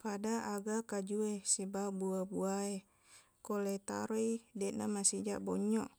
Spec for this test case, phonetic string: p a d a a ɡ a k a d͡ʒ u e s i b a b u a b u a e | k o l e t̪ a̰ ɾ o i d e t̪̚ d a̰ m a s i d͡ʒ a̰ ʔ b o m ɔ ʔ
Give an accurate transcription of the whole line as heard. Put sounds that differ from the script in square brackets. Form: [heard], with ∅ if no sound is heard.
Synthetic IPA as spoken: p a d a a ɡ a k a d͡ʒ u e s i b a b u a b u a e | k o l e t̪ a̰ ɾ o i d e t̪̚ [n] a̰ m a s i d͡ʒ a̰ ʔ b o [ɲ] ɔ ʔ